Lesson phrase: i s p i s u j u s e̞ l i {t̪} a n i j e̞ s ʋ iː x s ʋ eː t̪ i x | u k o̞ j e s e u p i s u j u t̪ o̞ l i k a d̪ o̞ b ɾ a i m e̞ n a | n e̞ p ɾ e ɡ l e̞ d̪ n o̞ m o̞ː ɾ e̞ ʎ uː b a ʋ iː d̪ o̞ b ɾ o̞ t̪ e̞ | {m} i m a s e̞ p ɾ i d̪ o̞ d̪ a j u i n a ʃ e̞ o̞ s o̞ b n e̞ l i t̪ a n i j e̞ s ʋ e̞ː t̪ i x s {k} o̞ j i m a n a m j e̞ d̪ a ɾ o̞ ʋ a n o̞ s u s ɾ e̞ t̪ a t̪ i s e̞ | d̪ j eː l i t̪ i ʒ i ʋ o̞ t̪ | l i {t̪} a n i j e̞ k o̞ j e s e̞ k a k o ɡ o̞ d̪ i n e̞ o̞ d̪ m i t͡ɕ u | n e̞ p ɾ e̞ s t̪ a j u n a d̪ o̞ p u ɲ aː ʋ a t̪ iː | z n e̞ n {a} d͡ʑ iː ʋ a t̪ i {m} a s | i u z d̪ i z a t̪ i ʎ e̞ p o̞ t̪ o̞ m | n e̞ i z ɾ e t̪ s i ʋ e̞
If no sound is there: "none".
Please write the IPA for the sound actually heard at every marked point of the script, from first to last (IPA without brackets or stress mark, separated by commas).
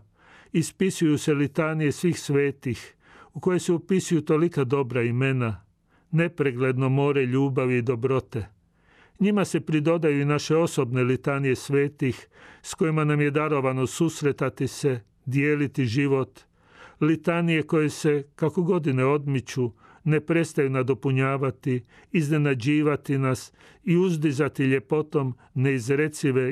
t̪, ɲ, k, t̪, a, n